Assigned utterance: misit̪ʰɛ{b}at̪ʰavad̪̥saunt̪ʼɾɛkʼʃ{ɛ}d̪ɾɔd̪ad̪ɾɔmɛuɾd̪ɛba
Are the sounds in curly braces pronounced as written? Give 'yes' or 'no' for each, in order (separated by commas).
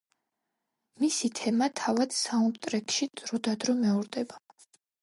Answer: no, no